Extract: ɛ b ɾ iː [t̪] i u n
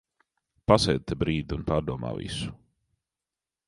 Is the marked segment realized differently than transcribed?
yes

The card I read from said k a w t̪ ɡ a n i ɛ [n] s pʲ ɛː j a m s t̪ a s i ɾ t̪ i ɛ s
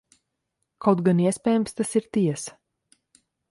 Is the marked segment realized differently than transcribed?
yes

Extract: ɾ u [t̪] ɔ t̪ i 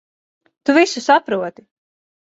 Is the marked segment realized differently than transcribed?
yes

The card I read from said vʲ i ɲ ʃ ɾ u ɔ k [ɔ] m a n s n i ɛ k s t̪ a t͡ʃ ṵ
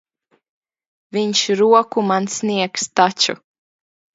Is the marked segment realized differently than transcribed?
yes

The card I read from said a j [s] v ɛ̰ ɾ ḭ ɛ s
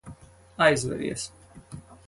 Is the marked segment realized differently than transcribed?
yes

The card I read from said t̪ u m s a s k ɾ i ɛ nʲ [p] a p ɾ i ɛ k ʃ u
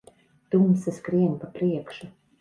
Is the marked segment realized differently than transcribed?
no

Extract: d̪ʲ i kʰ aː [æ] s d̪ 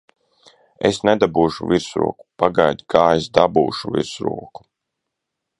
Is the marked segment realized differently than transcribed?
yes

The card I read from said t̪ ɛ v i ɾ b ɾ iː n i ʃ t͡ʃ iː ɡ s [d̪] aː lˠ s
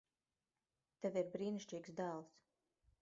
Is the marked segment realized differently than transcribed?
no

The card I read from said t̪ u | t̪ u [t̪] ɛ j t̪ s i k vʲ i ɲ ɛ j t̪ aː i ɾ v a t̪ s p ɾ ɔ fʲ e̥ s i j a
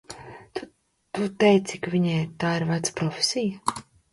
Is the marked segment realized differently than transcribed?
no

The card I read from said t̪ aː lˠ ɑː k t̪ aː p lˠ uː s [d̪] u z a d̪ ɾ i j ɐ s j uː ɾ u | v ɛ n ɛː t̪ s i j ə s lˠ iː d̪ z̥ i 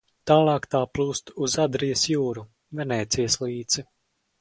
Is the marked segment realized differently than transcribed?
yes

